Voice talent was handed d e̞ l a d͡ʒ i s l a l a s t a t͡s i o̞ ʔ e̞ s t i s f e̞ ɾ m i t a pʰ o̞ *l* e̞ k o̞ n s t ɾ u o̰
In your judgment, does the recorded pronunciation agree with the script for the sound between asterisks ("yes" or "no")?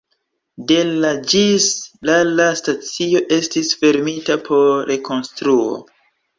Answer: no